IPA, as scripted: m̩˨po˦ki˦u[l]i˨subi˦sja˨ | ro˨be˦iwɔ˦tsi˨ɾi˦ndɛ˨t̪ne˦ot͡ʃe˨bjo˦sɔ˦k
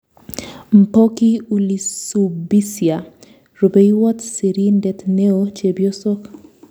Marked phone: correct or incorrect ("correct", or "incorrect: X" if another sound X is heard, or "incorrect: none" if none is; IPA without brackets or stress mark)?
correct